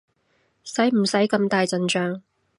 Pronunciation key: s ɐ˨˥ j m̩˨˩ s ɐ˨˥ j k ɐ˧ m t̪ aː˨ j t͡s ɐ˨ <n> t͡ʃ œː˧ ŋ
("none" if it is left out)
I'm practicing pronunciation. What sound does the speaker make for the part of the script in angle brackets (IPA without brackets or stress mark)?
n